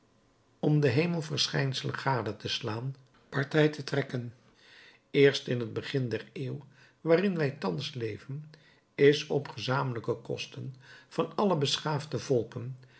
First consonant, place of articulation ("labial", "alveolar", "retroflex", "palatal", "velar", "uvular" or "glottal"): labial